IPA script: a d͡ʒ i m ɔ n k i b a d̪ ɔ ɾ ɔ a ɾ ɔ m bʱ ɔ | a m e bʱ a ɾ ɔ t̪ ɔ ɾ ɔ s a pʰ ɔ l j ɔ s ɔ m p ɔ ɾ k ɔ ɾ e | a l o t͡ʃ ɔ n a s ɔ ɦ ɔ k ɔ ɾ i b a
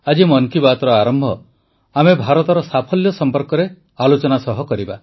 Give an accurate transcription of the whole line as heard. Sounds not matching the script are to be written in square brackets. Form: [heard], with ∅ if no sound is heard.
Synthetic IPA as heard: a d͡ʒ i m ɔ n k i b a [t̪] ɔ ɾ ɔ a ɾ ɔ m bʱ ɔ | a m e bʱ a ɾ ɔ t̪ ɔ ɾ ɔ s a pʰ ɔ l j ɔ s ɔ m p ɔ ɾ k ɔ ɾ e | a l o t͡ʃ ɔ n a s ɔ ɦ ɔ k ɔ ɾ i b a

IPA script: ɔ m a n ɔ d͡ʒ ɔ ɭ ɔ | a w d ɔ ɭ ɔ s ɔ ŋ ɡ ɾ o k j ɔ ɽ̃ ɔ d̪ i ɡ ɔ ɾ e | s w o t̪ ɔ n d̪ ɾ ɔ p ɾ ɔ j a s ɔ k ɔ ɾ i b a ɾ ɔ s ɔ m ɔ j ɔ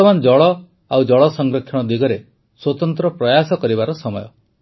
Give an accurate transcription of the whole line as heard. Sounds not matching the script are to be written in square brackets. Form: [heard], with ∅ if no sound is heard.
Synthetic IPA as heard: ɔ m a n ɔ d͡ʒ ɔ ɭ ɔ | a w [d͡ʒ] ɔ ɭ ɔ s ɔ ŋ ɡ ɾ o [kʰ] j ɔ ɽ̃ ɔ d̪ i ɡ ɔ ɾ e | s w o t̪ ɔ n [t̪] ɾ ɔ p ɾ ɔ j a s ɔ k ɔ ɾ i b a ɾ ɔ s ɔ m ɔ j ɔ

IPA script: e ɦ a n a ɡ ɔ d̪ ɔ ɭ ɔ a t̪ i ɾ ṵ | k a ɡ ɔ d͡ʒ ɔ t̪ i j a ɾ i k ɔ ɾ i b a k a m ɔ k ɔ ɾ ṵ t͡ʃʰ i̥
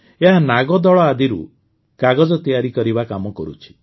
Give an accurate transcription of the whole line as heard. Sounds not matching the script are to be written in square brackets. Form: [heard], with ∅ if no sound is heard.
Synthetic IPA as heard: e ɦ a n a ɡ ɔ d̪ ɔ ɭ ɔ a [d̪] i ɾ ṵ | k a ɡ ɔ d͡ʒ ɔ t̪ i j a ɾ i k ɔ ɾ i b a k a m ɔ k ɔ ɾ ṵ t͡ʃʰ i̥

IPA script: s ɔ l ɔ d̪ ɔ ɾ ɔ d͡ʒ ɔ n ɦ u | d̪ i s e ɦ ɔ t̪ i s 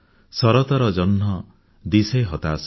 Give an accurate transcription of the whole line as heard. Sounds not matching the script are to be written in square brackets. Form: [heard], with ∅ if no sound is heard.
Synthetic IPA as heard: s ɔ [ɾ] ɔ [t̪] ɔ ɾ ɔ d͡ʒ ɔ n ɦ [ɔ] | d̪ i s e ɦ ɔ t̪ [a] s

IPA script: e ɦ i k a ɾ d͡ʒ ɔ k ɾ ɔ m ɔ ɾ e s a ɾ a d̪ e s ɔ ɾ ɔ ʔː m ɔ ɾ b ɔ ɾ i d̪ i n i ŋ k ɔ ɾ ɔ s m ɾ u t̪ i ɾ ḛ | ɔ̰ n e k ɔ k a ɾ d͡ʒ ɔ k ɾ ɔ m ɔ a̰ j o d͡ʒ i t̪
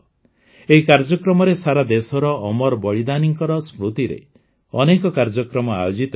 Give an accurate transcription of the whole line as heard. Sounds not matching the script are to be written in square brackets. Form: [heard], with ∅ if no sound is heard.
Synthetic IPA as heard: e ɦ i k a ɾ d͡ʒ ɔ k ɾ ɔ m ɔ ɾ e s a ɾ a d̪ e s ɔ ɾ ɔ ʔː m ɔ ɾ b ɔ [ɭ] i d̪ [a] n i ŋ k ɔ ɾ ɔ s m ɾ u t̪ i ɾ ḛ | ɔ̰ n e k ɔ k a ɾ d͡ʒ ɔ k ɾ ɔ m ɔ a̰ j o d͡ʒ i t̪

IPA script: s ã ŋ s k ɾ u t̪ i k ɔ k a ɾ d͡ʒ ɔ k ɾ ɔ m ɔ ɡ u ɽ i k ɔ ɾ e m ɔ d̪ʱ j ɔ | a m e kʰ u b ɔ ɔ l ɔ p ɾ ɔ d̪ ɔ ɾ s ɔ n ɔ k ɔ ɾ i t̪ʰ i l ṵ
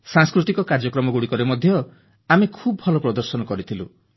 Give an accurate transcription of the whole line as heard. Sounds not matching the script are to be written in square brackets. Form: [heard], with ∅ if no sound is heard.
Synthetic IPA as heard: s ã ŋ s k ɾ u t̪ i k ɔ k a ɾ d͡ʒ ɔ k ɾ ɔ m ɔ ɡ u ɽ i k ɔ ɾ e m ɔ d̪ʱ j ɔ | a m e kʰ u b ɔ ɔ l ɔ p ɾ ɔ d̪ ɔ ɾ s ɔ n ɔ k ɔ ɾ i t̪ʰ i l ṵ

